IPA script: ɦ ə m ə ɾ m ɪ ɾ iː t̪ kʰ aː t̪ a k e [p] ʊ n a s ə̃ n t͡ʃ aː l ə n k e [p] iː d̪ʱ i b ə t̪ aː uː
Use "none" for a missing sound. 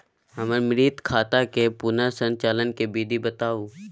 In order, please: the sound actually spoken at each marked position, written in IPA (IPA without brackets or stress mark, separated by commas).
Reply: p, b